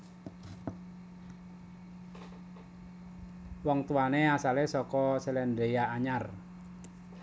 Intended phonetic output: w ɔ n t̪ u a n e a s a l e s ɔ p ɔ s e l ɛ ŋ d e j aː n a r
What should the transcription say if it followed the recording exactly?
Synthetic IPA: w ɔ ŋ t̪ u a n e a s a l e s ɔ k ɔ s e l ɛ n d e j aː ɲ a r